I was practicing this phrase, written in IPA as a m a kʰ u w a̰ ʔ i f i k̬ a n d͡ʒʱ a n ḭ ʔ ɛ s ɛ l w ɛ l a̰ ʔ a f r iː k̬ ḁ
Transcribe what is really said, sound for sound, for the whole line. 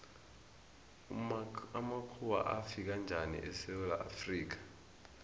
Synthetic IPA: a m a kʰ u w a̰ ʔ a f i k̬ a n d͡ʒʱ a n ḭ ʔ ɛ s ɛ w ɛ l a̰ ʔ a f r iː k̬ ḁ